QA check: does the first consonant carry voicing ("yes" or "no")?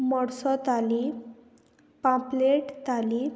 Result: yes